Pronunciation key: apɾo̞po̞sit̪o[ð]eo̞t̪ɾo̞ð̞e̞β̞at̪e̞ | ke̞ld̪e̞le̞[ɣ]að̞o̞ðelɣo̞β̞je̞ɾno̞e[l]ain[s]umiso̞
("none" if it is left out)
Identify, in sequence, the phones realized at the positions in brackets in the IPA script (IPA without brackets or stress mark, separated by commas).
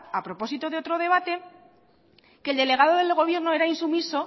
ð, ɣ, ɾ, s